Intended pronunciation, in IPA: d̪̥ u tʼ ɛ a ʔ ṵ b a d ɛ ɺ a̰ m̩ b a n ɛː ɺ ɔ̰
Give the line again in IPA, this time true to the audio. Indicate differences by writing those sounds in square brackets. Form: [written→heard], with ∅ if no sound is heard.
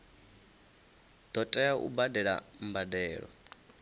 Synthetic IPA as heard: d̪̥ [u→ɔ] tʼ ɛ a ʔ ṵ b a d ɛ ɺ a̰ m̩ b a [n→d] ɛː ɺ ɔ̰